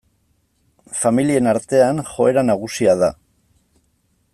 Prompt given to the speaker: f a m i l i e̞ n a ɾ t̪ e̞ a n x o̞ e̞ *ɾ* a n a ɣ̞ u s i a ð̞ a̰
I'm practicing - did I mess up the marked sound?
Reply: no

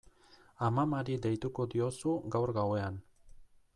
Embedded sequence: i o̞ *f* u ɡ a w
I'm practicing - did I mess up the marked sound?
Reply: yes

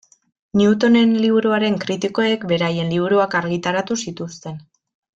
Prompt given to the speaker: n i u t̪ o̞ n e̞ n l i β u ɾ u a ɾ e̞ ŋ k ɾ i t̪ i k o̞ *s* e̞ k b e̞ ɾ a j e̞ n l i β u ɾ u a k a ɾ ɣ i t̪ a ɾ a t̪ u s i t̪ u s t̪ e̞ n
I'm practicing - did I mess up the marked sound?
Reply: yes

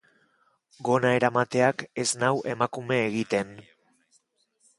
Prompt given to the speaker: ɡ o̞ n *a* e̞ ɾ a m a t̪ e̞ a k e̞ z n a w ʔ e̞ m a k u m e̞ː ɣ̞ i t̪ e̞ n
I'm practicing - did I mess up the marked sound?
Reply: no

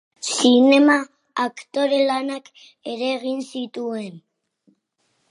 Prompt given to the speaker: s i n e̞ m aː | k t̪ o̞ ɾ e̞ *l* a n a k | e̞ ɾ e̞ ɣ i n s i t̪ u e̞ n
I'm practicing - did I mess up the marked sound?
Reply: no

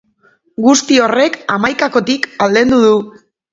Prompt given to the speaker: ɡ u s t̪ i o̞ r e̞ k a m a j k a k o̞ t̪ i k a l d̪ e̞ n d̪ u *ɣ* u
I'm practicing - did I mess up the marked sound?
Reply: yes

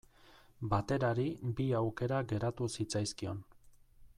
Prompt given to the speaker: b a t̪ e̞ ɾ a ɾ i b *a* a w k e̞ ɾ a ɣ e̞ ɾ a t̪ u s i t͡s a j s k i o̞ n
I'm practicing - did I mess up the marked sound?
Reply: yes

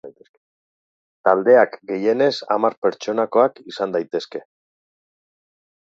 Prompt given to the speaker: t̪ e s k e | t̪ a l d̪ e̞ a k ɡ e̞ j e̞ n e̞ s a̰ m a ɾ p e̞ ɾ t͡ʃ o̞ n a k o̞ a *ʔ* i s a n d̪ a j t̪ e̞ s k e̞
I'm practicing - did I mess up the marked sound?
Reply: yes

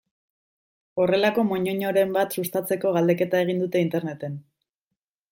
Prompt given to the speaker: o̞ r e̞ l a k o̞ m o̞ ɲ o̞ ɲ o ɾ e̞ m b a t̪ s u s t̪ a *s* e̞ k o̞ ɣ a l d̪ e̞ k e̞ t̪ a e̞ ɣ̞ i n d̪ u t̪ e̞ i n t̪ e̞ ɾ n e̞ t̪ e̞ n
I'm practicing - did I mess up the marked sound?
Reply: yes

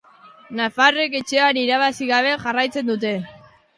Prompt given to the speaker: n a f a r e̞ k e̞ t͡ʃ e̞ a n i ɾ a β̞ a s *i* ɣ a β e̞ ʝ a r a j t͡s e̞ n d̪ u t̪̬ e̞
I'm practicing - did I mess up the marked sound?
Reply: no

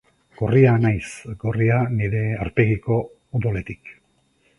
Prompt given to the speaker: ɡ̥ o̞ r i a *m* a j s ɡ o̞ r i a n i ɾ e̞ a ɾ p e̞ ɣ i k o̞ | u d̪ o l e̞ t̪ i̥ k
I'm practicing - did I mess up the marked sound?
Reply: yes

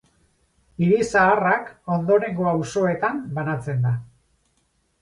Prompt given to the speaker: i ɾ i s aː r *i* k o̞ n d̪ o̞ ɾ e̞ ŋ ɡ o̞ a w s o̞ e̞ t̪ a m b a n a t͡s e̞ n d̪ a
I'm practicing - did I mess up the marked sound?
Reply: yes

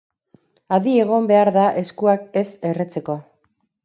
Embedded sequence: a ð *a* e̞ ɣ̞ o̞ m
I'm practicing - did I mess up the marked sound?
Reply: yes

